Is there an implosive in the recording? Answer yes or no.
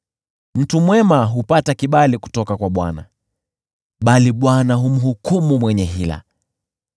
yes